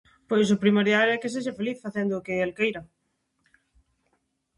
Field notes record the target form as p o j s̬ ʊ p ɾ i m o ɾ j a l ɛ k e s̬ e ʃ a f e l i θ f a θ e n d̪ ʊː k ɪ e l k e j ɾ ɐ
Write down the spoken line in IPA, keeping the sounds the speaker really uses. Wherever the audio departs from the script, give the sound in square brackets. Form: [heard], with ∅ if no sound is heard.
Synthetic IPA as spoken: p o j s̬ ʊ p ɾ i m o ɾ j a l ɛ k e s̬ e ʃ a f e l i θ f a θ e n d̪ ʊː k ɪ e l k e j ɾ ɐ